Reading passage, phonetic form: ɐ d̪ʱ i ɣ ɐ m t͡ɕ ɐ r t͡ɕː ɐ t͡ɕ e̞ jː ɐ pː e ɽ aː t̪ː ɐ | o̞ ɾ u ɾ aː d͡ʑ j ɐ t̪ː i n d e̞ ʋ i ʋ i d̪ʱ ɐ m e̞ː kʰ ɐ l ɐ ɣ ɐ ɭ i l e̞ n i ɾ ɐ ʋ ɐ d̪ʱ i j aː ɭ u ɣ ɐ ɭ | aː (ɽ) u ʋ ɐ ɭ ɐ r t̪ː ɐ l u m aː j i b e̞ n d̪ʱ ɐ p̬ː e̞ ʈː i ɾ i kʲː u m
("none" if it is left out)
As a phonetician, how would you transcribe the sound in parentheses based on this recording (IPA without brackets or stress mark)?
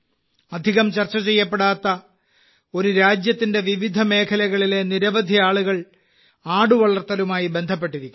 ɽ